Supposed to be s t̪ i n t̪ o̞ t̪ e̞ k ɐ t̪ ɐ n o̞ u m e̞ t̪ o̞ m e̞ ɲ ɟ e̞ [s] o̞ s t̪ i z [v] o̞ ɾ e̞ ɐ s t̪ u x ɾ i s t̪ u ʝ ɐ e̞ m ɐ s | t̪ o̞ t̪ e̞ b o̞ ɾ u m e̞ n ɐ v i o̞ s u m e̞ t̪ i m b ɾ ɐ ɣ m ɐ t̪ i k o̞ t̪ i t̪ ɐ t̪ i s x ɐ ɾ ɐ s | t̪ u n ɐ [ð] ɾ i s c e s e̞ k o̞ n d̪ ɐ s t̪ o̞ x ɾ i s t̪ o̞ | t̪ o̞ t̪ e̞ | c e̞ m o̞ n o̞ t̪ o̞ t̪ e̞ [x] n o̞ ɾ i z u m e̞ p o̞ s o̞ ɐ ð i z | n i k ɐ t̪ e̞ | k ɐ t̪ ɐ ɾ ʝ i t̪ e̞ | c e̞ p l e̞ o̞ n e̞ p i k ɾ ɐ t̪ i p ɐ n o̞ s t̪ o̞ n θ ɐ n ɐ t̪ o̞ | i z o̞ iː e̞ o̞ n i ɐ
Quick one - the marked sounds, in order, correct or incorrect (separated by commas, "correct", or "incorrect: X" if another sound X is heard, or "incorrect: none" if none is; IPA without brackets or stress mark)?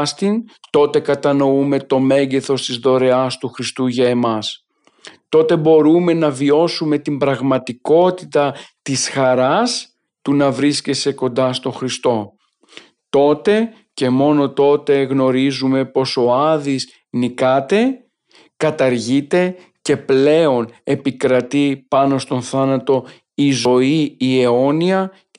incorrect: θ, incorrect: ð, incorrect: v, incorrect: ɣ